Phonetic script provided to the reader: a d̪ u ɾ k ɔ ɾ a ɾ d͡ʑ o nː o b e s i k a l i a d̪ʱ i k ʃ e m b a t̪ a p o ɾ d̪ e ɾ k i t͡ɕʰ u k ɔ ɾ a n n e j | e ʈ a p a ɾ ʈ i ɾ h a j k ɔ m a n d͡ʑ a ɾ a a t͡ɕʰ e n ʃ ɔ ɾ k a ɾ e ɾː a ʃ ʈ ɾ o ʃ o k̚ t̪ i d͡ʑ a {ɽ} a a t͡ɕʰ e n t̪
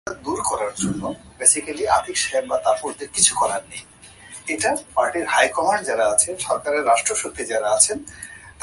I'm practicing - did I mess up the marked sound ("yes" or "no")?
yes